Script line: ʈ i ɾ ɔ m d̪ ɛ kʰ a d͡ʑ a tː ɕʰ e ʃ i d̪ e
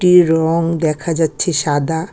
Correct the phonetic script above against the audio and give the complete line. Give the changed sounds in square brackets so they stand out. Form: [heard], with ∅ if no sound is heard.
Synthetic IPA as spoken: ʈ i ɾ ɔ [ŋ] d̪ ɛ kʰ a d͡ʑ a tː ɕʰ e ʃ [a] d̪ [a]